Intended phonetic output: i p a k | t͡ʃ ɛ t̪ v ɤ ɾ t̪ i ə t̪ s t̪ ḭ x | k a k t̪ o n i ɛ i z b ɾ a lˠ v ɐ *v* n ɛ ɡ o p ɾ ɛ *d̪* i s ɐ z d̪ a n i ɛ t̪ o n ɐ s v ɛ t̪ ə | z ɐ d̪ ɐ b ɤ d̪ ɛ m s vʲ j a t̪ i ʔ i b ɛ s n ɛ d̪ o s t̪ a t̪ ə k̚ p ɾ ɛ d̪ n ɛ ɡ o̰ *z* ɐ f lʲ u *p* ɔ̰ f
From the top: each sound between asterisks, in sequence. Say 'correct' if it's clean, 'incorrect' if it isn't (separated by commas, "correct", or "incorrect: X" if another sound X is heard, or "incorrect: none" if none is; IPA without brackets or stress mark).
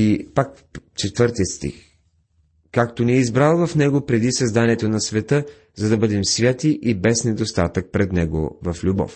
incorrect: f, correct, incorrect: v, incorrect: b